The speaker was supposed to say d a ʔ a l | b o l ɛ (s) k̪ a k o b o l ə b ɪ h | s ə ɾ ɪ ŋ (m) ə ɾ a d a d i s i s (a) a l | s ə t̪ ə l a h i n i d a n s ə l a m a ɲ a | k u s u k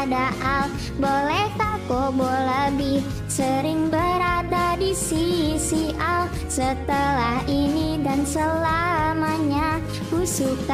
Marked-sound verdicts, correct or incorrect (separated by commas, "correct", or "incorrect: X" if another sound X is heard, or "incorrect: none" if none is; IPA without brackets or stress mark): incorrect: h, incorrect: b, incorrect: i